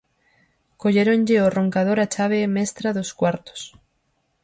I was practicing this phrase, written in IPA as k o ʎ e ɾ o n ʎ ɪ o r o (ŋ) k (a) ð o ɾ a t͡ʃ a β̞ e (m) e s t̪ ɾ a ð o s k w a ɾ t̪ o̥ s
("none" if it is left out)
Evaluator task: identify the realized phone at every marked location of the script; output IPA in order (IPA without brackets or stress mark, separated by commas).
ŋ, a, m